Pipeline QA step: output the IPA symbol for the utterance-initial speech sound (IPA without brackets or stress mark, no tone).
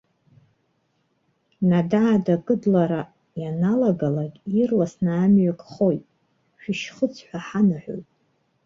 n